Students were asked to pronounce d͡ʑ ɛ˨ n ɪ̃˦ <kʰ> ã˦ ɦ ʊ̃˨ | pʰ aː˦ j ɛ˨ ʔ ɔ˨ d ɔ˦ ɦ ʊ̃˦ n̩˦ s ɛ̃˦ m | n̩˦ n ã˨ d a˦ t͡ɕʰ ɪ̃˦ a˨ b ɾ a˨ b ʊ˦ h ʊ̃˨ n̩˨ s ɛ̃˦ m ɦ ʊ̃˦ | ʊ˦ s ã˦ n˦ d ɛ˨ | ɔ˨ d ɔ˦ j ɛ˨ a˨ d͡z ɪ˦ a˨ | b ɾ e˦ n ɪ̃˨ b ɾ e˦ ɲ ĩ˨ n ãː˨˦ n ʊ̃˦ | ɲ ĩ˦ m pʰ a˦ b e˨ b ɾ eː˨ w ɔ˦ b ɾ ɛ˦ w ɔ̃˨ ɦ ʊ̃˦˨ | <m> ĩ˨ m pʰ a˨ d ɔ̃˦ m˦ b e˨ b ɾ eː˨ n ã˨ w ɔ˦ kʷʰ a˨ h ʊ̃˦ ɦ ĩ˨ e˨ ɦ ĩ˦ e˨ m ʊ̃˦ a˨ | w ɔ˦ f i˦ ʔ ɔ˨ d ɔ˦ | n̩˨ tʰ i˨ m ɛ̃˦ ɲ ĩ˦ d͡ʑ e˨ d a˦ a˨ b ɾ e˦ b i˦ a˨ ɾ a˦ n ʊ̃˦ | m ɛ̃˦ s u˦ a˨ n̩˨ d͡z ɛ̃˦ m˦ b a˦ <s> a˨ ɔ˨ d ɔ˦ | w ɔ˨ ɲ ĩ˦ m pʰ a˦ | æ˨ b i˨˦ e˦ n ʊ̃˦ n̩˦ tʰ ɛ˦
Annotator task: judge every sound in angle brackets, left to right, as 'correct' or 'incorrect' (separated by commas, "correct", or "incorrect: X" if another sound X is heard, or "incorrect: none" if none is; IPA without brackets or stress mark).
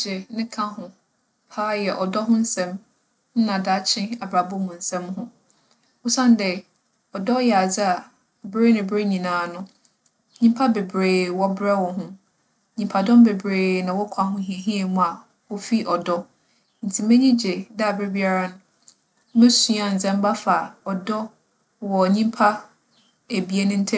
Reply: correct, incorrect: ɲ, incorrect: f